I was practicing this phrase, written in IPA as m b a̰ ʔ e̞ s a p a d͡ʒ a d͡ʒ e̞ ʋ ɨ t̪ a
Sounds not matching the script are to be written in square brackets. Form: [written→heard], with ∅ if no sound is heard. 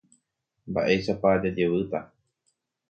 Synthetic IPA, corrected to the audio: m b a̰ ʔ e̞ [s→ʃ] a p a d͡ʒ a d͡ʒ e̞ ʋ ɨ t̪ a